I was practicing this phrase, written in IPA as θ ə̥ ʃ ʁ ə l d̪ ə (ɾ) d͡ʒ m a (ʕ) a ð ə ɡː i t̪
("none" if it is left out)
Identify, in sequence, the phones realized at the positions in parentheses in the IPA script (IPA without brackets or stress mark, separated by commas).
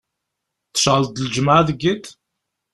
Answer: l, ʕ